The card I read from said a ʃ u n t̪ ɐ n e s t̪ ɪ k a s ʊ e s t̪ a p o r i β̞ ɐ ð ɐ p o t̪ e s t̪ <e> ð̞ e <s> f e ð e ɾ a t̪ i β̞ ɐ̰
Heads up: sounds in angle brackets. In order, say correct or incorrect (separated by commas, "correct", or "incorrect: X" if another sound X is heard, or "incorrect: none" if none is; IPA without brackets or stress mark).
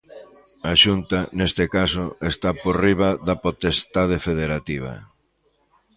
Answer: incorrect: a, incorrect: none